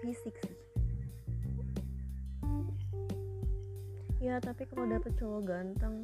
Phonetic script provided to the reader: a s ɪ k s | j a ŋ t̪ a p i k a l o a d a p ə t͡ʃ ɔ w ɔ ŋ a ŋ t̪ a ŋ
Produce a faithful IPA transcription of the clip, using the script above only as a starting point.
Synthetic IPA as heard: i s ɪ k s | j a t̪ a p i k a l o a d a p ə t͡ʃ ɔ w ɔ ɡ a n t̪ ə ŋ